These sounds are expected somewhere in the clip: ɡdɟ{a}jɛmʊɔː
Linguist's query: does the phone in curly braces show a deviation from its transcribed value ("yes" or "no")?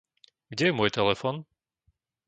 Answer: yes